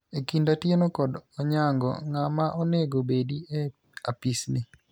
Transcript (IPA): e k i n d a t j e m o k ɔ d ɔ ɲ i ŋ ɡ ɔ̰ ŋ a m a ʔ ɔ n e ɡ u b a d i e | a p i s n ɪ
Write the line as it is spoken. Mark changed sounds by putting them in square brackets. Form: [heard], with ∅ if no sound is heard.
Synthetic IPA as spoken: e k i n d a t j e [n] o k ɔ d ɔ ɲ [a] ŋ ɡ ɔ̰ ŋ a m a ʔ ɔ n e ɡ [o] b [e] d i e | a p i s n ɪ